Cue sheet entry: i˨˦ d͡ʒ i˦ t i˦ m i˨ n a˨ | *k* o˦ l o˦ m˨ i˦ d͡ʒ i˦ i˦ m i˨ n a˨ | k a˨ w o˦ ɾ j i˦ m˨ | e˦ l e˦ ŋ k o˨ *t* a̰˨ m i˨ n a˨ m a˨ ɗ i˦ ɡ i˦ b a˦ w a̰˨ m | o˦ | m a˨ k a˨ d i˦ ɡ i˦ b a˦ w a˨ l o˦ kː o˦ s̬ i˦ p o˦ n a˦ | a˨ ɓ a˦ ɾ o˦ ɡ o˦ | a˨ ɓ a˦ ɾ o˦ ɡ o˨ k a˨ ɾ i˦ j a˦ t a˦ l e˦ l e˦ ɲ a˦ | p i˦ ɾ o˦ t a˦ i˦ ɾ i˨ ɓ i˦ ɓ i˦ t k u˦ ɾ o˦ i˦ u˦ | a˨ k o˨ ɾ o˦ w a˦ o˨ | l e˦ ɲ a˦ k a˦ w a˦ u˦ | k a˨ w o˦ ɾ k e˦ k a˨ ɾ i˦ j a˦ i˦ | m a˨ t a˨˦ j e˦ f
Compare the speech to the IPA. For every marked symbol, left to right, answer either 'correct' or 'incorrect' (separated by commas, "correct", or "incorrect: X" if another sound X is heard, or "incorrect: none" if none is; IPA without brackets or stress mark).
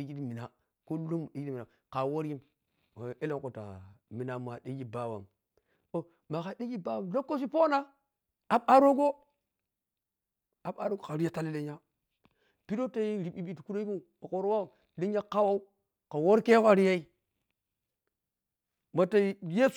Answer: correct, correct